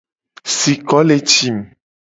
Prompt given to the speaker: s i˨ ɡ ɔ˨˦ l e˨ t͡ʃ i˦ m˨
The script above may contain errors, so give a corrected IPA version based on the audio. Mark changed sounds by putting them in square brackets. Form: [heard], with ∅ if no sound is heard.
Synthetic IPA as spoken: s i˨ [k] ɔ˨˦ l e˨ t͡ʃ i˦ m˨

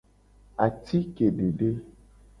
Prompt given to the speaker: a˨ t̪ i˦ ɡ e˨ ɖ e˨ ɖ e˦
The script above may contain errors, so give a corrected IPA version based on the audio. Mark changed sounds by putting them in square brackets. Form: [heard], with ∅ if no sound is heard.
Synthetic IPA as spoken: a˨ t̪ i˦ [k] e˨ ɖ e˨ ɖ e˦

